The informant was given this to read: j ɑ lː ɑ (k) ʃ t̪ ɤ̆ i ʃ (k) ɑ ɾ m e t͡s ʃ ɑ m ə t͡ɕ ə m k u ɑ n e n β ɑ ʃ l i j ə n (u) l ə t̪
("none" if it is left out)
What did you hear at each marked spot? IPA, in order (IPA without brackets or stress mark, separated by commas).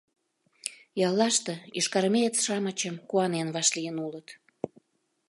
none, k, u